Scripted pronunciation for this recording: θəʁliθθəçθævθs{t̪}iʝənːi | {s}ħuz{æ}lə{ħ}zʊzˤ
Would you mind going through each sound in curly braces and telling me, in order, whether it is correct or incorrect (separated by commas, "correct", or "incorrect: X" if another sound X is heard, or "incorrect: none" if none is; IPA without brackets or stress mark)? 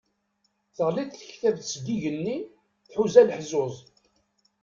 incorrect: d̪, incorrect: θ, correct, correct